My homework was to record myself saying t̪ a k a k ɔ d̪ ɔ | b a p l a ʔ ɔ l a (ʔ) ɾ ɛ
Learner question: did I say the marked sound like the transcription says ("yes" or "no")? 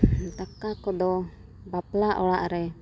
yes